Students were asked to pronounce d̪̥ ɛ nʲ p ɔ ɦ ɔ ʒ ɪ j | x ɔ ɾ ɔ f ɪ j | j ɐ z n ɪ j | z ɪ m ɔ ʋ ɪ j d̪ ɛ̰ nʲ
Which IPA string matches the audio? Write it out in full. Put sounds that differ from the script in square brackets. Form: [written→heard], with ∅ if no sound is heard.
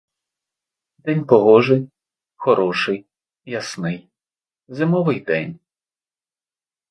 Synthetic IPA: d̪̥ ɛ nʲ p ɔ ɦ ɔ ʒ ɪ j | x ɔ ɾ ɔ [f→ʃ] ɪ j | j ɐ [z→s] n ɪ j | z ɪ m ɔ ʋ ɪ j d̪ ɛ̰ nʲ